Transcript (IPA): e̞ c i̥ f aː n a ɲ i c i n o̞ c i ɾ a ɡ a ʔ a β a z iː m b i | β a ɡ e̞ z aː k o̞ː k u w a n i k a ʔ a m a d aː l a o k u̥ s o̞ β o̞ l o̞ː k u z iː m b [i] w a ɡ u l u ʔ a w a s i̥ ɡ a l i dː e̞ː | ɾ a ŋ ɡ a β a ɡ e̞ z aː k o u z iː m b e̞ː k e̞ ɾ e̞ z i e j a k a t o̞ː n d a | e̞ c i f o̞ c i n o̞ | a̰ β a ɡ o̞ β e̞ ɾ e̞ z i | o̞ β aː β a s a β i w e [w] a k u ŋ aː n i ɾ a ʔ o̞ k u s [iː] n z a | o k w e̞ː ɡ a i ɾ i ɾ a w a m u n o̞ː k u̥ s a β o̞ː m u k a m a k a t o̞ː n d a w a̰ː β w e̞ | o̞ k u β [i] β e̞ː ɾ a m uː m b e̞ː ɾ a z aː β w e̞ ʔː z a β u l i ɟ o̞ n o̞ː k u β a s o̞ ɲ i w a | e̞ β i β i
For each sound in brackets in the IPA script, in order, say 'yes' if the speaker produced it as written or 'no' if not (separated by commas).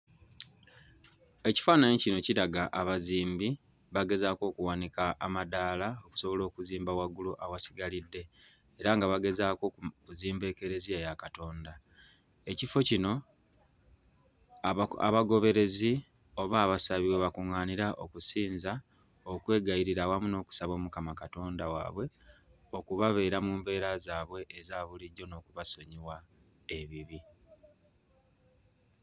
no, no, yes, no